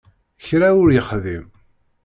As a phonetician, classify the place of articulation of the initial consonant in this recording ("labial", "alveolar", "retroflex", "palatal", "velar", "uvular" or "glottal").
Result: palatal